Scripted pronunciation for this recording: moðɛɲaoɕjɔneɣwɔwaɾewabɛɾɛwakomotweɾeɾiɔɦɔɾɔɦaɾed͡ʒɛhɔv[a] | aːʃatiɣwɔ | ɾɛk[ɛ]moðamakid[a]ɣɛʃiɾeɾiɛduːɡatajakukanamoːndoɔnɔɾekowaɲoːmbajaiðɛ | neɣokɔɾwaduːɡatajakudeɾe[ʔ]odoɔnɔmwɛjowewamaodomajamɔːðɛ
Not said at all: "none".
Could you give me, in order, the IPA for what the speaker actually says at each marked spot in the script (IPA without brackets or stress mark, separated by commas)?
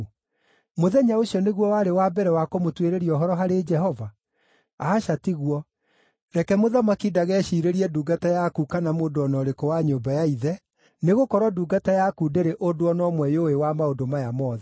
a, ɛ, a, ʔ